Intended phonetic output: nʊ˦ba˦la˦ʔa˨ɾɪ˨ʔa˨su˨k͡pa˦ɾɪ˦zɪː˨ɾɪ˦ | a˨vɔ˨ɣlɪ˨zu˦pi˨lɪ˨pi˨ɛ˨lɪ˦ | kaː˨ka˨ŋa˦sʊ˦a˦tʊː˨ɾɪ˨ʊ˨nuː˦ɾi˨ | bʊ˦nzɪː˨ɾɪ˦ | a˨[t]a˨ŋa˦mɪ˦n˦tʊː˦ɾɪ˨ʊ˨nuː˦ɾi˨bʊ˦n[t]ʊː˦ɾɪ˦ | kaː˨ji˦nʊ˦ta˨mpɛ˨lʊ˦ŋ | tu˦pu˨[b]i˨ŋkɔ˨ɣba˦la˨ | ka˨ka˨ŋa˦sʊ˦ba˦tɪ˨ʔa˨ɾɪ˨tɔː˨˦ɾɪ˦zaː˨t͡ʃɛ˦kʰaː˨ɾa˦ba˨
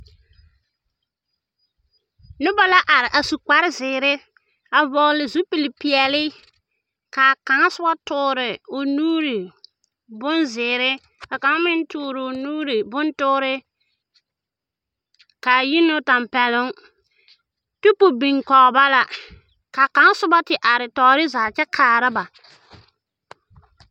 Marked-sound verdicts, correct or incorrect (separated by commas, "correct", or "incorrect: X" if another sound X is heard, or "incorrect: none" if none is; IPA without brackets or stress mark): incorrect: k, correct, correct